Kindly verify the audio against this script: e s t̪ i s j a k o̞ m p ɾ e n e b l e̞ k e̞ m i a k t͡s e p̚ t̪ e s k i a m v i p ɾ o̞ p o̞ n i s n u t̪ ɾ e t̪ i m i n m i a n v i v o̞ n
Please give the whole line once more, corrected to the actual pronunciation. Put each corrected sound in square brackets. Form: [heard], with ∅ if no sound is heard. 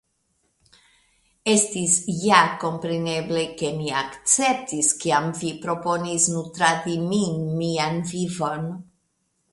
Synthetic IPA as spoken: e s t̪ i s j a k o̞ m p ɾ e n e b l e̞ k e̞ m i a k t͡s e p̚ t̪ [i] s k i a m v i p ɾ o̞ p o̞ n i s n u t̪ ɾ [a] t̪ i m i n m i a n v i v o̞ n